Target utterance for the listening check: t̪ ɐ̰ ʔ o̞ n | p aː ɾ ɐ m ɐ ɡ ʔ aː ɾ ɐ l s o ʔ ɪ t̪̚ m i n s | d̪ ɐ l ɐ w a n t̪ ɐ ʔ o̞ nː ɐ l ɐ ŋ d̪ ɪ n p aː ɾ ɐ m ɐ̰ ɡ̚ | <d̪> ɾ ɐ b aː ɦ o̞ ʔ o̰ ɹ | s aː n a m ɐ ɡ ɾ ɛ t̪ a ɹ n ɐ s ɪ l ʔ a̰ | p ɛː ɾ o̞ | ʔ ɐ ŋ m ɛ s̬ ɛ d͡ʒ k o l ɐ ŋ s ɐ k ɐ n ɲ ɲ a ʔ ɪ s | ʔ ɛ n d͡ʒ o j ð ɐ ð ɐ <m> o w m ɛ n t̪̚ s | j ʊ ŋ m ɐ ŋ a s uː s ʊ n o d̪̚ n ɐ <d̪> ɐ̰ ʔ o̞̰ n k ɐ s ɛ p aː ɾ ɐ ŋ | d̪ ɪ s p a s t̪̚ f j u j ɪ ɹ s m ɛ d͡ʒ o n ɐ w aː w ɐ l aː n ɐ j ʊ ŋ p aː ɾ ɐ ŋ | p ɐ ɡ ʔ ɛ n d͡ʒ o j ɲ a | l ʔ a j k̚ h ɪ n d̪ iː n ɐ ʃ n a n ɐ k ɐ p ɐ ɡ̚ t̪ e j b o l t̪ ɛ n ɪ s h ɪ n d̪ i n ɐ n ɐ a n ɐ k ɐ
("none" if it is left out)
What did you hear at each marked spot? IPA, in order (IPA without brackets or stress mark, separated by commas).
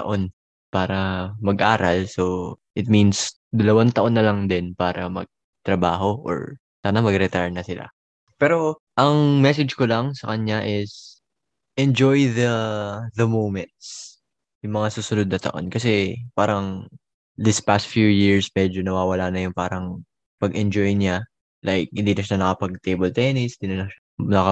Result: t̪, m, t̪